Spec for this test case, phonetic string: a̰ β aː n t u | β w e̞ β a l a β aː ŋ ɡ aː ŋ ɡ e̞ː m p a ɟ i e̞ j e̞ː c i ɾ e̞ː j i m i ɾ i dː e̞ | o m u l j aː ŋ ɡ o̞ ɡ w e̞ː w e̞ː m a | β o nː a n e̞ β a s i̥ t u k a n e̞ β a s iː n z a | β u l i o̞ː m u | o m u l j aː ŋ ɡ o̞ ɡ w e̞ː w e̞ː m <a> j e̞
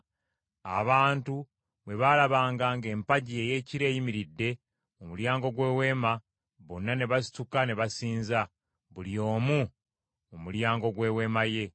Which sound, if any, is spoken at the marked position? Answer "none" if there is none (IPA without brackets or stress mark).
a